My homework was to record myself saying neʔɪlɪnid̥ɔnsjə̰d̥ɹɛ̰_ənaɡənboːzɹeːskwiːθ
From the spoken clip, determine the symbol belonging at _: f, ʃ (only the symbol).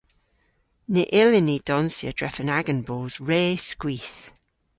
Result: f